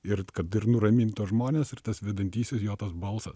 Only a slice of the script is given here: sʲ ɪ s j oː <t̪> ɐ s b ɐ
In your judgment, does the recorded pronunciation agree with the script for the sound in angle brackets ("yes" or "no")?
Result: yes